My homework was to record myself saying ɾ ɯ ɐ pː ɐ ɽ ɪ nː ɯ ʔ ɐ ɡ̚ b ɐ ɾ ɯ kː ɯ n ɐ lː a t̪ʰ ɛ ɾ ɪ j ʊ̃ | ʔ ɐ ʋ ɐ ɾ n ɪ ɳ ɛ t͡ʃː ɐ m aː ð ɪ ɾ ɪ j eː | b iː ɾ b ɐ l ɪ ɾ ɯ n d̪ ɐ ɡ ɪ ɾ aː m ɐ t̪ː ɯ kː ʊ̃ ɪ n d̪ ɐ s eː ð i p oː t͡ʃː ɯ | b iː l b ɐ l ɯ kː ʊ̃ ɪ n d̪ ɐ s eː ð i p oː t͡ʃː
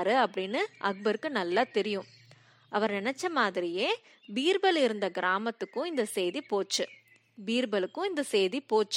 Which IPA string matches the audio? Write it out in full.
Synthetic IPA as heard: ɾ ɯ ɐ pː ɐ ɽ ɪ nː ɯ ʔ ɐ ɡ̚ b ɐ ɾ ɯ kː ɯ n ɐ lː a t̪ ɛ ɾ ɪ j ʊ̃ | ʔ ɐ ʋ ɐ ɾ n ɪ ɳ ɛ t͡ʃː ɐ m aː ð ɪ ɾ ɪ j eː | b iː ɾ b ɐ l ɪ ɾ ɯ n d̪ ɐ ɡ ɪ ɾ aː m ɐ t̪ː ɯ kː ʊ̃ ɪ n d̪ ɐ s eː ð i p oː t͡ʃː ɯ | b iː ɾ b ɐ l ɯ kː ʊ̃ ɪ n d̪ ɐ s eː ð i p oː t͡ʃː